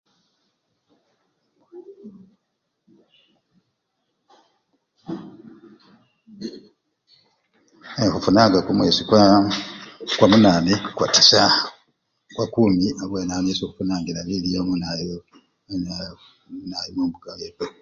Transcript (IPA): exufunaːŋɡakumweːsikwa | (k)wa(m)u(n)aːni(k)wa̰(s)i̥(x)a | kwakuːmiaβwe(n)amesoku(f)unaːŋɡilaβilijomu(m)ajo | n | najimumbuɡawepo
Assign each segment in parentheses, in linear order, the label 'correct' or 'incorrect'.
correct, correct, correct, correct, incorrect: t, incorrect: s, correct, correct, incorrect: n

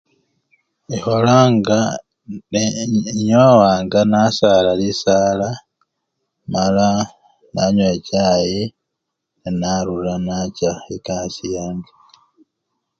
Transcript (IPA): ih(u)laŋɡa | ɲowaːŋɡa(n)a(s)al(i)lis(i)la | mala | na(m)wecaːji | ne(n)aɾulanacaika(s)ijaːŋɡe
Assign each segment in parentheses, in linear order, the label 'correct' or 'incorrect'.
incorrect: o, correct, correct, incorrect: a, incorrect: a, incorrect: ɲ, correct, correct

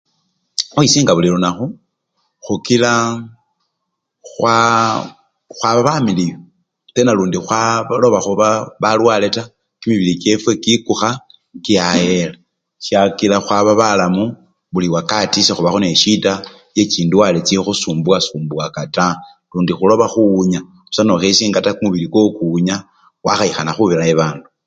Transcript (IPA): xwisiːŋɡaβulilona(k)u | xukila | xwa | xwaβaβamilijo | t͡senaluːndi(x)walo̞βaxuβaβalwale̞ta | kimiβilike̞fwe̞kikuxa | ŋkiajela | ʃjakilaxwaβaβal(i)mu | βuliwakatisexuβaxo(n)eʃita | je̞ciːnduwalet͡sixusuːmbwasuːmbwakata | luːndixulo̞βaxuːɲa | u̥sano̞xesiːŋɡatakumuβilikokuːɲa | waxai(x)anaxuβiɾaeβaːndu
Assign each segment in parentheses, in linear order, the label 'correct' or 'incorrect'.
incorrect: x, correct, incorrect: a, correct, correct

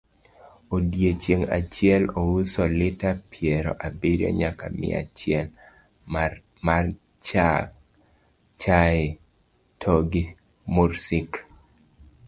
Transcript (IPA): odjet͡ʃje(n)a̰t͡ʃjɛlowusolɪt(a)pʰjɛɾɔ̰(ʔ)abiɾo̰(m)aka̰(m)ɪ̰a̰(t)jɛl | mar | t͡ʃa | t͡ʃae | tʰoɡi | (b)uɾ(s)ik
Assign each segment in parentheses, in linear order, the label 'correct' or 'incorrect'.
incorrect: ŋ, correct, correct, incorrect: ɲ, correct, incorrect: t͡ʃ, incorrect: m, correct

